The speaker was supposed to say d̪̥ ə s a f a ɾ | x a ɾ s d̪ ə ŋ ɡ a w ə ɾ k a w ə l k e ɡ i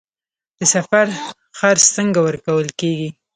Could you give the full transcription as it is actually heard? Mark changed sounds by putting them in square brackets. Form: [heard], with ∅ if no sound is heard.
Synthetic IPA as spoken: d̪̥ ə s a f a ɾ | x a ɾ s [t̪] ə ŋ ɡ a w ə ɾ k a w ə l k e ɡ i